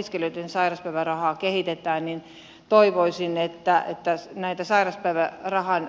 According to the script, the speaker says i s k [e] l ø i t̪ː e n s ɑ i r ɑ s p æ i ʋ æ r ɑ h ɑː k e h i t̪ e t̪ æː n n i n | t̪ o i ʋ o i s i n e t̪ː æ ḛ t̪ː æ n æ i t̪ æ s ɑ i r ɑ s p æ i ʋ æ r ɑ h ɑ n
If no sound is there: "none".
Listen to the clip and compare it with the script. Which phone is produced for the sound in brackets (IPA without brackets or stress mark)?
e